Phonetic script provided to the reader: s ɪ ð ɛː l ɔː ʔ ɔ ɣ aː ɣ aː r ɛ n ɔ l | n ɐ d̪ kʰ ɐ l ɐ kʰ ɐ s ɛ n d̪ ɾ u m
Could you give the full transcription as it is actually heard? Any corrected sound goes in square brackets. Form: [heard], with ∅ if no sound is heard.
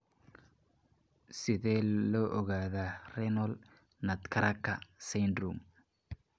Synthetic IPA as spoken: s ɪ ð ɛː l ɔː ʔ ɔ ɣ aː [ð] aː r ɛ n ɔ l | n ɐ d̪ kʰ ɐ [ɾ] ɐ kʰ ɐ s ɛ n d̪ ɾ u m